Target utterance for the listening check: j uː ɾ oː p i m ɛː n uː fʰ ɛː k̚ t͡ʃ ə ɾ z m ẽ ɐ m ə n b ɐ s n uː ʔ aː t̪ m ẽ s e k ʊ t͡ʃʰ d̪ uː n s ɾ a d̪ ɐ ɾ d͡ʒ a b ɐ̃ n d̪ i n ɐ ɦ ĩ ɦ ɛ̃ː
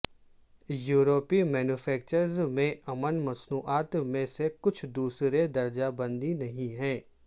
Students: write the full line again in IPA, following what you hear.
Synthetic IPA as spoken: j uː ɾ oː p i m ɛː n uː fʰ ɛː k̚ t͡ʃ ə ɾ z m ẽ ɐ m ə n m ɐ s n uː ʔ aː t̪ m ẽ s e k ʊ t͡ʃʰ d̪ uː s ɾ e d̪ ɐ ɾ d͡ʒ a b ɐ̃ n d̪ i n ɐ ɦ ĩ ɦ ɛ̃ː